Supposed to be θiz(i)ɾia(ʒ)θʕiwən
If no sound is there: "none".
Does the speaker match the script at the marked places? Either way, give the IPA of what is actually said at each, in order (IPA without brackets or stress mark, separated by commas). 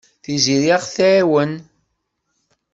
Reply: i, ʁ